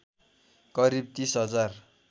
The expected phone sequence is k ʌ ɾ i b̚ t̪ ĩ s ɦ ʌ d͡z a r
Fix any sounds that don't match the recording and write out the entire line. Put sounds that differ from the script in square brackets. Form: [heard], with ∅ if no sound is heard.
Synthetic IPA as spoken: k ʌ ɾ i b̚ t̪ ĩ s ɦ ʌ d͡z a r